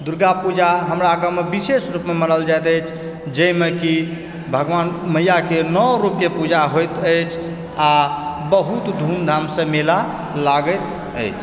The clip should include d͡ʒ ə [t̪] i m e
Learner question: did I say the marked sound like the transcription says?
no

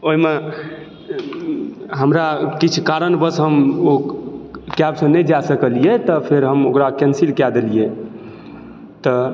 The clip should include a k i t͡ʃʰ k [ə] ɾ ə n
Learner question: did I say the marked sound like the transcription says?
no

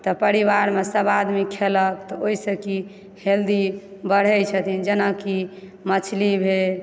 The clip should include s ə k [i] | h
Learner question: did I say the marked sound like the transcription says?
yes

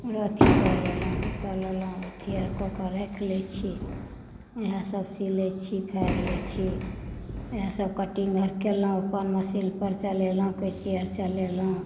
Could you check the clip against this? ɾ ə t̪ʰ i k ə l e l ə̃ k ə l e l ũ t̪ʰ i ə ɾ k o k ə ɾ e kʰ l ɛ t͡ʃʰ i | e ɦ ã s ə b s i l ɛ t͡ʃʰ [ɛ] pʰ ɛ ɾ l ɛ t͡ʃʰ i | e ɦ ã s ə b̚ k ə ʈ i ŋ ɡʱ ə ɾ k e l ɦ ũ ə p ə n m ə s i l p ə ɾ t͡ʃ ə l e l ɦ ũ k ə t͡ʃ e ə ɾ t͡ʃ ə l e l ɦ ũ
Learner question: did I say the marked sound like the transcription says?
no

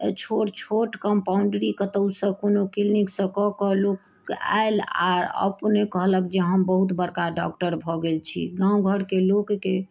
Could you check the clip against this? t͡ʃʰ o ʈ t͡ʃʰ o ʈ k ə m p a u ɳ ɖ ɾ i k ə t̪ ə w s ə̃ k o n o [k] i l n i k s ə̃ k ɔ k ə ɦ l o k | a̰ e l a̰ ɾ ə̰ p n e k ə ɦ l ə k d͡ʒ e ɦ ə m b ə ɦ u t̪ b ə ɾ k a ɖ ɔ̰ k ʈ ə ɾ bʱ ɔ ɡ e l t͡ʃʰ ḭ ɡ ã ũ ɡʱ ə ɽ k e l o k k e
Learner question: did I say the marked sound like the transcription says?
yes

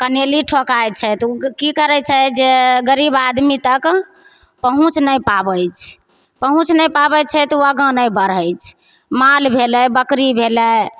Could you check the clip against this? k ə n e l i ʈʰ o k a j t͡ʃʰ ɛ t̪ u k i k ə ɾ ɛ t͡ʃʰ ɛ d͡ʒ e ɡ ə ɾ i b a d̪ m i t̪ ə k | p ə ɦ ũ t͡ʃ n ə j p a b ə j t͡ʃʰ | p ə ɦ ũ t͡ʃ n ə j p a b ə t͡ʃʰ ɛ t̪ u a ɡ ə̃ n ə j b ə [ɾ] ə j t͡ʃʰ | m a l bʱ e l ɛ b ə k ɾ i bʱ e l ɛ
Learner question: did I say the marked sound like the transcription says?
yes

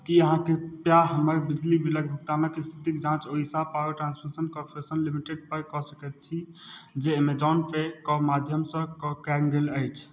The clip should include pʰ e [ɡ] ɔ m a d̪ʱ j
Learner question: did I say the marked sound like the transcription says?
no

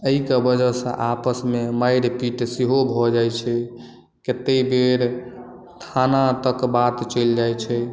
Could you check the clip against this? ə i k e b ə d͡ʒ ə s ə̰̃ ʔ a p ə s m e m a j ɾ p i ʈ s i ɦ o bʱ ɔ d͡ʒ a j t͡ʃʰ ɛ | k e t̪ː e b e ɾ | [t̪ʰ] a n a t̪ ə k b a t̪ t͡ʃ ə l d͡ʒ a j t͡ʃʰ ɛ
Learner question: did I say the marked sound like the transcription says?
yes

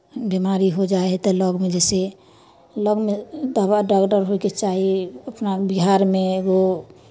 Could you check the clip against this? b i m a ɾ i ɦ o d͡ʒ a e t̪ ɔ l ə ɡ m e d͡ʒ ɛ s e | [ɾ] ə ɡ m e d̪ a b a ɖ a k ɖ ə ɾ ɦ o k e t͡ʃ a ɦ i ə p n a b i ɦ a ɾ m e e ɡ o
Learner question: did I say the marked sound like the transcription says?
no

